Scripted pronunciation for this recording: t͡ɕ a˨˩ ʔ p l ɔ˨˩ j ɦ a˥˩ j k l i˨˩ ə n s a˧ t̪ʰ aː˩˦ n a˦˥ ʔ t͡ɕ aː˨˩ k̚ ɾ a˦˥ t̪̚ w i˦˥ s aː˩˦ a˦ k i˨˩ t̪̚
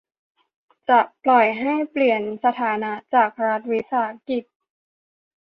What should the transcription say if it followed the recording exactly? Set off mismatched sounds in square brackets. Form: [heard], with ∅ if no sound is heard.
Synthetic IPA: t͡ɕ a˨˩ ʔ p l ɔ˨˩ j ɦ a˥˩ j [p] l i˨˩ ə n s a˧ t̪ʰ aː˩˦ n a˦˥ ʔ t͡ɕ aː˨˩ k̚ ɾ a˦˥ t̪̚ w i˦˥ s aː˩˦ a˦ k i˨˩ t̪̚

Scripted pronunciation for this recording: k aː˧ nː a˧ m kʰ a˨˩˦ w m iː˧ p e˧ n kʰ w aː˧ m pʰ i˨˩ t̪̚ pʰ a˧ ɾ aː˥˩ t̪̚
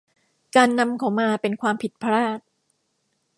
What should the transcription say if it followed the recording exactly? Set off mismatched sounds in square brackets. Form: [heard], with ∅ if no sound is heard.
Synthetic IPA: k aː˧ nː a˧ m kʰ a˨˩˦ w m [aː˧] p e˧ n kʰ w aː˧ m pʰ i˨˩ t̪̚ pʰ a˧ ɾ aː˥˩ t̪̚

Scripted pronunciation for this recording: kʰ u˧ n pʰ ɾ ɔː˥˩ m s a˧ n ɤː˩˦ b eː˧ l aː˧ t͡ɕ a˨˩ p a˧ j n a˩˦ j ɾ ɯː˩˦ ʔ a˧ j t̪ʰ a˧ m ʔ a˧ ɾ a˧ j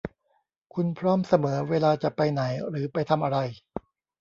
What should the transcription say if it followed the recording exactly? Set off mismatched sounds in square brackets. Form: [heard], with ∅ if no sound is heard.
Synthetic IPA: kʰ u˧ n pʰ ɾ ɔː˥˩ m s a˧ [m] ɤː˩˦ [w] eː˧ l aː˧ t͡ɕ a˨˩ p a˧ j n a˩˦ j ɾ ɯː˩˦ [p] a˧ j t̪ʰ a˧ m ʔ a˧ ɾ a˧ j

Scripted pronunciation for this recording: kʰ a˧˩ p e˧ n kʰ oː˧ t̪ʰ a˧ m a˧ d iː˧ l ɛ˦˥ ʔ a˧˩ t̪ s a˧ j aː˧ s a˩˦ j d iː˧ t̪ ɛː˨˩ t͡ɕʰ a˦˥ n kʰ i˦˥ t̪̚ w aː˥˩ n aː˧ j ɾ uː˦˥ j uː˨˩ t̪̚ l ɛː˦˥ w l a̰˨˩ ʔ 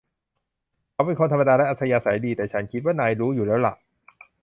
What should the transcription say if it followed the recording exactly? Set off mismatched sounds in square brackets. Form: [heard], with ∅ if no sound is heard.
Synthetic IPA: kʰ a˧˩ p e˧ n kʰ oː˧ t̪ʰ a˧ m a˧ d [aː˧] l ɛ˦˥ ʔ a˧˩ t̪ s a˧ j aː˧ s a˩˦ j d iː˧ t̪ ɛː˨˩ t͡ɕʰ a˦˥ n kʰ i˦˥ t̪̚ w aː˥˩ n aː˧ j ɾ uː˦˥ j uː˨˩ [∅] l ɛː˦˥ w l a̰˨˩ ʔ

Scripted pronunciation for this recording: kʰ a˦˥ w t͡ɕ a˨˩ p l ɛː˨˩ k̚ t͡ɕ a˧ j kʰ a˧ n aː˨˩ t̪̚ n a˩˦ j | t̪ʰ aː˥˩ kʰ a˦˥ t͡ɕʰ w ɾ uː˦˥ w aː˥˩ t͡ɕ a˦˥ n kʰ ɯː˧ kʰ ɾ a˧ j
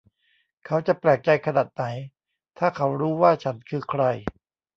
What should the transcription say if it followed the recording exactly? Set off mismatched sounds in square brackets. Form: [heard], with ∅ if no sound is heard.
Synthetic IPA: kʰ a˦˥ w t͡ɕ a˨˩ p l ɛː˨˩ k̚ t͡ɕ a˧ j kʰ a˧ n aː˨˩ t̪̚ n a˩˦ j | t̪ʰ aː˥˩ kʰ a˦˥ [∅] w ɾ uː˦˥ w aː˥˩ [t͡ɕʰ] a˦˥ n kʰ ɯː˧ kʰ ɾ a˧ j

